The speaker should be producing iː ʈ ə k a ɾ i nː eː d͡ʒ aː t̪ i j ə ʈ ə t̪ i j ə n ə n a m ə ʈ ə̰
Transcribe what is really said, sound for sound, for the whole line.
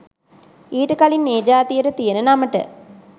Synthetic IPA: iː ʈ ə k a l i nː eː d͡ʒ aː t̪ i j ə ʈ ə t̪ i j ə n ə n a m ə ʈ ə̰